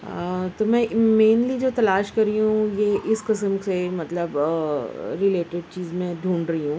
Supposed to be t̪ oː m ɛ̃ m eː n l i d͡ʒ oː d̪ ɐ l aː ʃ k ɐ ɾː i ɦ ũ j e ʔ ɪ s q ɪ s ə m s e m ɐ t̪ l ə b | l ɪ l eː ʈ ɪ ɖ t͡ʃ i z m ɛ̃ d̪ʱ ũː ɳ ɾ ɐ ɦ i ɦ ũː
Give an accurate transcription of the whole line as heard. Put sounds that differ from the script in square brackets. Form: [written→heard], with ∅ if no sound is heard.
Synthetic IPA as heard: t̪ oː m ɛ̃ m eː n l i d͡ʒ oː [d̪→t̪] ɐ l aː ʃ k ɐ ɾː i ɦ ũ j e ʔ ɪ s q ɪ s ə m s e m ɐ t̪ l ə b | [l→ɾ] ɪ l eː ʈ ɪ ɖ t͡ʃ [i→iː] z m [ɛ̃→ẽ] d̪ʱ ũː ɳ ɾ ɐ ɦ i ɦ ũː